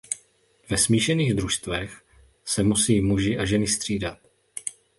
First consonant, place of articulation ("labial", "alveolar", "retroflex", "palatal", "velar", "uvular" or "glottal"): labial